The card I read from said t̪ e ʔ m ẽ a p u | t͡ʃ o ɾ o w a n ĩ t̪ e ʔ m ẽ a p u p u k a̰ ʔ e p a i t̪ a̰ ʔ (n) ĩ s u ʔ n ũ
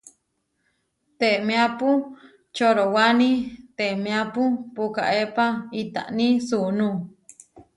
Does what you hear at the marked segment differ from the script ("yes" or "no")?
no